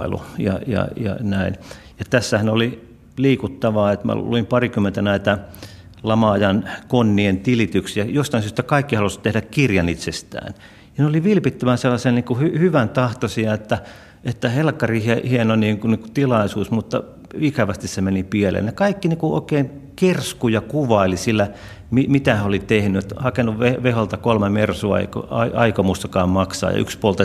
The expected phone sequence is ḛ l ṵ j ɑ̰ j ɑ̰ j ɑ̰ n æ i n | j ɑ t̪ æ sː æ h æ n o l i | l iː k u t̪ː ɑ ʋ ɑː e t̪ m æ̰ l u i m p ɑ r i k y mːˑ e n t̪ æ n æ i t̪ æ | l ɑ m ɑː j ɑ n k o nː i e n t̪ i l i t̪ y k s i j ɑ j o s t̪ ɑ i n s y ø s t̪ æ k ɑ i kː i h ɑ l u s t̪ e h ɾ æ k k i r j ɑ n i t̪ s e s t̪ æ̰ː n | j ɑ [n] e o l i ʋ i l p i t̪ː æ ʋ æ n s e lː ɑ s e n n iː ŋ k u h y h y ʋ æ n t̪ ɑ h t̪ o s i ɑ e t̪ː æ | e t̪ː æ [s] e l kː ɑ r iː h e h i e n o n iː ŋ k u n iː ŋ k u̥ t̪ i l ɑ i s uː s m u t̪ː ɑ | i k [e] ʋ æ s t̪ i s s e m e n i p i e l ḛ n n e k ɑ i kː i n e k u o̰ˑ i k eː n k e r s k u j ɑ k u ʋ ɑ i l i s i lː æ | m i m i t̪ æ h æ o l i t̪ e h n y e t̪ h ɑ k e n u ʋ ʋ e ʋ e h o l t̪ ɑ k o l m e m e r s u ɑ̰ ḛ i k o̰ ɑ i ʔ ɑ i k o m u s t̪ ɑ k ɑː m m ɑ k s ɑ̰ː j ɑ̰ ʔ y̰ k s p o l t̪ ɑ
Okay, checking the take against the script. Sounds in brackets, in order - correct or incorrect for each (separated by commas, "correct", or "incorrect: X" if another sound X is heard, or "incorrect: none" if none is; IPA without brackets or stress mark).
correct, incorrect: h, incorrect: æ